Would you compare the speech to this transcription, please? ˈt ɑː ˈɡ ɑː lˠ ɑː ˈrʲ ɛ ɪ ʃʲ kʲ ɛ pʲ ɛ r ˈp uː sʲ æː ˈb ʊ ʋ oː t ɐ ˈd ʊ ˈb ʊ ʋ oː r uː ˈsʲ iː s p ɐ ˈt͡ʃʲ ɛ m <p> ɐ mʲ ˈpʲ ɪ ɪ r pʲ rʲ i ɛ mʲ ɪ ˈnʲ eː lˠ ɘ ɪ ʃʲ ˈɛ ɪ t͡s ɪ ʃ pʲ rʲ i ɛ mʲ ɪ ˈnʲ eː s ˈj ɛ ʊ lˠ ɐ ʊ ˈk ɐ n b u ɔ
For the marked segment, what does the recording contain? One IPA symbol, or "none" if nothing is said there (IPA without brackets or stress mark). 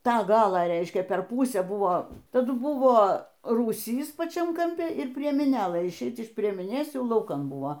k